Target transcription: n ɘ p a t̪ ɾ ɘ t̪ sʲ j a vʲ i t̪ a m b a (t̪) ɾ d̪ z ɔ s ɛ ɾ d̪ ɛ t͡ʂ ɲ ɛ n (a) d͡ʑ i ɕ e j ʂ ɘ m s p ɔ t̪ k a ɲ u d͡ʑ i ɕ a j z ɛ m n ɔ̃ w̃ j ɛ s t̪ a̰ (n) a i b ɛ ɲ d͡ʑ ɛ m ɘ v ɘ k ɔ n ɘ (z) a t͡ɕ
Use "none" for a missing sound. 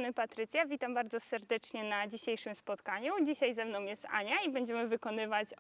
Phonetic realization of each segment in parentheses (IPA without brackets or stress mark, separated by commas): none, a, ɲ, v